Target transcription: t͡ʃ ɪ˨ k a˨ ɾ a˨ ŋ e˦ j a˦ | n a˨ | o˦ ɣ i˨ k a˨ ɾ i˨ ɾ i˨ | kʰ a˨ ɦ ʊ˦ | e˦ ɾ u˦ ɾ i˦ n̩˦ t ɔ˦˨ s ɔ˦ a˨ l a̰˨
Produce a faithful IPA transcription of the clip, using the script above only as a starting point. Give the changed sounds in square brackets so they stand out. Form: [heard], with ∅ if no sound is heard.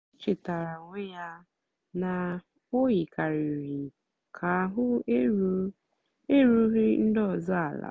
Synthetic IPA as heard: t͡ʃ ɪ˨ [t] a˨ ɾ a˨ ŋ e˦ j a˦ | n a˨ | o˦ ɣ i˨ k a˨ ɾ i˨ ɾ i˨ | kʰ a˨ ɦ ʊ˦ | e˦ ɾ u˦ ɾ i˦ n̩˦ [d] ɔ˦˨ [z] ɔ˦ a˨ l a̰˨